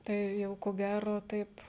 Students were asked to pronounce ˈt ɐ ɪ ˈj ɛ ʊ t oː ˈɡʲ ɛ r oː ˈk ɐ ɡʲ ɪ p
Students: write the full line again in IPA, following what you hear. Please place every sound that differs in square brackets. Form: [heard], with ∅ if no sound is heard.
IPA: ˈt ɐ ɪ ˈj ɛ ʊ [k] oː ˈɡʲ [æ] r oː [ˈt] ɐ [∅] ɪ p